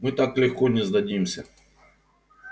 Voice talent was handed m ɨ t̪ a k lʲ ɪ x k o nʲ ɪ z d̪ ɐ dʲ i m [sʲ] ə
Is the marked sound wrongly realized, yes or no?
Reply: no